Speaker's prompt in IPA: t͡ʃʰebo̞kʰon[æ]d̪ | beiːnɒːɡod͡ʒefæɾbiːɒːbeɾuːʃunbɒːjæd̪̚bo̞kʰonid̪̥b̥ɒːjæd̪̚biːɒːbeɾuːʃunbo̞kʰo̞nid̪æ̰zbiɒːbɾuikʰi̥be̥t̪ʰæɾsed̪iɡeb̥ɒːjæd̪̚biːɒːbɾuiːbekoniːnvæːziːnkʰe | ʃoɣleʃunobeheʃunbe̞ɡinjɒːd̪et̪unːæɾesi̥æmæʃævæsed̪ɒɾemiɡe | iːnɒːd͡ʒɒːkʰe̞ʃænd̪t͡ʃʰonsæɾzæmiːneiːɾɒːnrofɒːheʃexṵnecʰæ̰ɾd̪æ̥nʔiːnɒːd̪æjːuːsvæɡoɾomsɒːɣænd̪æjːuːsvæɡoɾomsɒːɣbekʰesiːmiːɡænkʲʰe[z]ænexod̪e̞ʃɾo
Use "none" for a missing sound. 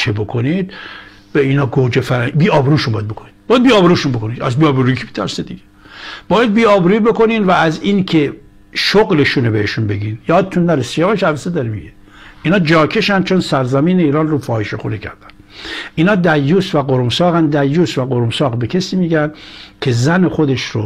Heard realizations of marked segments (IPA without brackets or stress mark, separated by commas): i, z